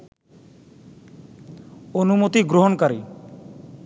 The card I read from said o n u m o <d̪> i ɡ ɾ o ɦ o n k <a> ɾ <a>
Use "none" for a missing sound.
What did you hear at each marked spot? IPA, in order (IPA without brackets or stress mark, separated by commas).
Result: t̪, a, i